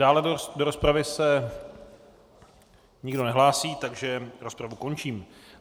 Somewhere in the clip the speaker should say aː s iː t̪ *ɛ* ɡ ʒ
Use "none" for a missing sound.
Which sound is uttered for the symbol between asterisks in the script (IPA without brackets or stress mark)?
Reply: a